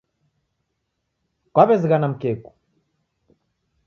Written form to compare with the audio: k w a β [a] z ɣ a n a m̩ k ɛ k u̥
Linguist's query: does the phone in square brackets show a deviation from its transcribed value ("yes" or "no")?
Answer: yes